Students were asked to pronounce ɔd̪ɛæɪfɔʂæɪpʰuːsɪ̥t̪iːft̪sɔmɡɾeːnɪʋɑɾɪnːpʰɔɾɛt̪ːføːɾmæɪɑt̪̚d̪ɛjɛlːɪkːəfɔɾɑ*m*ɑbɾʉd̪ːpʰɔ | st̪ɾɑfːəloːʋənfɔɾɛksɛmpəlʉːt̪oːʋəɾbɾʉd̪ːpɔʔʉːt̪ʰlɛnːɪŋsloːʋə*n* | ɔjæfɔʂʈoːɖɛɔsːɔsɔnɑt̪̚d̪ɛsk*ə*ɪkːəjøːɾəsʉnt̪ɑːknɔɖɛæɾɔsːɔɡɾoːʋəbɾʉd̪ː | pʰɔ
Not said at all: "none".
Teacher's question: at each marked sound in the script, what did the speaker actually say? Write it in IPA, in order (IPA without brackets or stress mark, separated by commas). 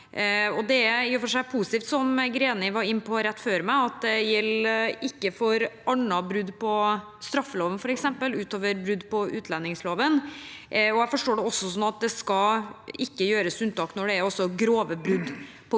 ɳ, n, ɑ